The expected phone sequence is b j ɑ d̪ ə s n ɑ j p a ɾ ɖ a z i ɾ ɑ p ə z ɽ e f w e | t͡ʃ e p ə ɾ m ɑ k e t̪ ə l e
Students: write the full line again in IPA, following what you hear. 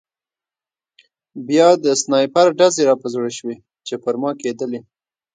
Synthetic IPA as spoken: b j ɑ d̪ ə s n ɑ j p a ɾ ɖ a z e ɾ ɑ p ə z ɽ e ʃ w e | t͡ʃ e p ə ɾ m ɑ k e d̪ ə l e